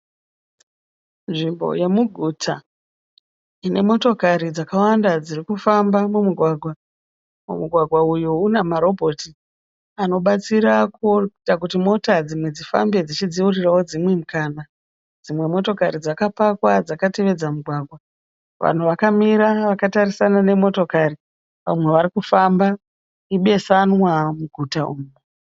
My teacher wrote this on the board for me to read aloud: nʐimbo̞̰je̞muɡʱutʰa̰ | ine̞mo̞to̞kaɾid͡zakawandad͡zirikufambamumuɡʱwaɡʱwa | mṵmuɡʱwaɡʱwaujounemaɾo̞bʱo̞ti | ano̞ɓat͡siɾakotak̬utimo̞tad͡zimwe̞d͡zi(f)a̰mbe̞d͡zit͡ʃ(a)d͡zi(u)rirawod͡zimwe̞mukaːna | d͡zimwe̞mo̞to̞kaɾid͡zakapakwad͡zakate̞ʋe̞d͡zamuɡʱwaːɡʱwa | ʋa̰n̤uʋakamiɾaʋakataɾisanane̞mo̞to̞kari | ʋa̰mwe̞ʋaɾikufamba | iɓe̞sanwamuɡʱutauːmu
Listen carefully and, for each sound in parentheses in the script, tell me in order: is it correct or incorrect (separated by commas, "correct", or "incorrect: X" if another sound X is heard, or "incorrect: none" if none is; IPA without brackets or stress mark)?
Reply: correct, incorrect: i, correct